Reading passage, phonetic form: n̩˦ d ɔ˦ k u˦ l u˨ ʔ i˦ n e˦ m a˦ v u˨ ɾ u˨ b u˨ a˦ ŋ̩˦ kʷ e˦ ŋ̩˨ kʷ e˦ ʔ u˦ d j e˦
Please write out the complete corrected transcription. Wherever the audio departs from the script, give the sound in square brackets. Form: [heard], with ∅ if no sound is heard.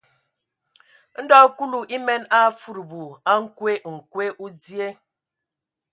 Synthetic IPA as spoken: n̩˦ d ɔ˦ k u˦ l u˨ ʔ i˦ [m] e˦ [n] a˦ [f] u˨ ɾ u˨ b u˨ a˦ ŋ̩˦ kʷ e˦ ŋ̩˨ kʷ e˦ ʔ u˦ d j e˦

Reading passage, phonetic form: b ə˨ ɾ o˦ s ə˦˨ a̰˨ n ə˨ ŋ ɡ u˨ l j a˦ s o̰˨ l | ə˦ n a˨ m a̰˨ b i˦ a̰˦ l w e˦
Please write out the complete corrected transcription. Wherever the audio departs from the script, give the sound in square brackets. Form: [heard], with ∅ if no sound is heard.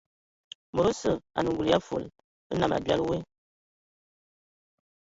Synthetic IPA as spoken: [m] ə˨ ɾ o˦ s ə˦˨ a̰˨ n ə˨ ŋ ɡ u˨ l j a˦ [f] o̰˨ l | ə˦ n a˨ m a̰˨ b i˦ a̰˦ l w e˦

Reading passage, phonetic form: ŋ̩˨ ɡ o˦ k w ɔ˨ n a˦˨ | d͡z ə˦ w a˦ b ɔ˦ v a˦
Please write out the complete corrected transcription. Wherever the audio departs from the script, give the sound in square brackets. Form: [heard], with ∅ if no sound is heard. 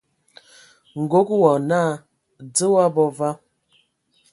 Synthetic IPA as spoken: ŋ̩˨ ɡ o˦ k w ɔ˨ n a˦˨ | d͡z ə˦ w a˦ b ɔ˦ v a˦

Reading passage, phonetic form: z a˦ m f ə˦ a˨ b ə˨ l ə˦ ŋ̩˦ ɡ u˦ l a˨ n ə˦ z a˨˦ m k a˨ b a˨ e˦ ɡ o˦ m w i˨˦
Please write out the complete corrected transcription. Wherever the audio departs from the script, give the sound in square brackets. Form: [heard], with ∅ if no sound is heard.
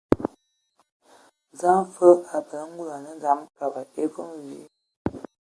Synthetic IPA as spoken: z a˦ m f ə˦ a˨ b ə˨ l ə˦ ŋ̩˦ ɡ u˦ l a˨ n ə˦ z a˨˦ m k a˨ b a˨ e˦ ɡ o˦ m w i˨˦

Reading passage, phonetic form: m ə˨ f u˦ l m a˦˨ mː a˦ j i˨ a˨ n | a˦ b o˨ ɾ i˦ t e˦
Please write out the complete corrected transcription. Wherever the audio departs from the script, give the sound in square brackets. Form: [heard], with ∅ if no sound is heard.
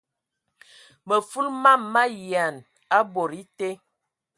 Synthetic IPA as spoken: m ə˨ f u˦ l m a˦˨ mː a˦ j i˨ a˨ n | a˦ b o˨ ɾ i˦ t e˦

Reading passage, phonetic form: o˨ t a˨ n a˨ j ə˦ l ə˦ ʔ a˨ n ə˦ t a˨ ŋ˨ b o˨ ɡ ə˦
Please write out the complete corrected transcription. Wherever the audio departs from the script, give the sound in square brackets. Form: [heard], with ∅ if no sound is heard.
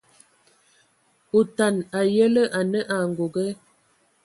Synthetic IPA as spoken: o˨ t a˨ n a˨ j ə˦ l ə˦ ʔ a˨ n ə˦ [ʔ] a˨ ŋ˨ [ɡ] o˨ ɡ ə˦

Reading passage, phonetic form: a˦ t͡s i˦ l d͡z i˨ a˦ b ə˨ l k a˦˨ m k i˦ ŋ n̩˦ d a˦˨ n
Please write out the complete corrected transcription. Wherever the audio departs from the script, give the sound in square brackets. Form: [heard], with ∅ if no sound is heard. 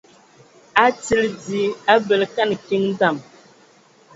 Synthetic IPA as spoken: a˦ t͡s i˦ l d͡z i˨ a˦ b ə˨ l k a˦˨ [n] k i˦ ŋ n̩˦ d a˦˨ [m]

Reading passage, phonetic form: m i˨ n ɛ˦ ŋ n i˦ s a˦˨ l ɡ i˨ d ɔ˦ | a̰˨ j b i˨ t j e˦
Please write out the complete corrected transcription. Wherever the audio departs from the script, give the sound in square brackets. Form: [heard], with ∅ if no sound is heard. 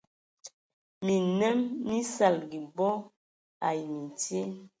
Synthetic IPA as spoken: m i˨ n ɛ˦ [m] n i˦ s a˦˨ l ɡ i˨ [b] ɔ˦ | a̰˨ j [m] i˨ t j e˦

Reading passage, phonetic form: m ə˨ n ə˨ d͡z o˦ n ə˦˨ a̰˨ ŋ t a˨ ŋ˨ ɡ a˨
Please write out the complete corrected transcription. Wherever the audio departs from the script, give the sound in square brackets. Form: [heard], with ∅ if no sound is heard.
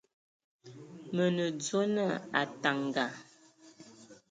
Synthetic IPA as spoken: m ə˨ n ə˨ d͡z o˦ n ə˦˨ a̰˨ [∅] t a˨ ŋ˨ ɡ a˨

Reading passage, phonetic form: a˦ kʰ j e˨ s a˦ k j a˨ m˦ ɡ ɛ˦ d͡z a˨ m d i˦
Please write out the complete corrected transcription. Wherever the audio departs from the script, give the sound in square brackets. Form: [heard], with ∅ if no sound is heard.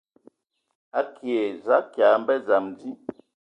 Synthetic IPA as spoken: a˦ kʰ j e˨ [z] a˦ k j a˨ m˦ [b] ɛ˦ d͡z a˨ m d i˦

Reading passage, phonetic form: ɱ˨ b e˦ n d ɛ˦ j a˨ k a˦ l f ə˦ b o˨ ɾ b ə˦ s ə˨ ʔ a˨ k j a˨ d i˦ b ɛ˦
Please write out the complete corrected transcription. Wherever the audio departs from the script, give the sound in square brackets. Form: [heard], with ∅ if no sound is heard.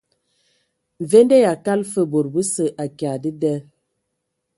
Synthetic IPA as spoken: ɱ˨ [v] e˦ n d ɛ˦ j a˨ k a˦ l f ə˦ b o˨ ɾ b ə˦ s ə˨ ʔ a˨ k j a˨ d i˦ [d] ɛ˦

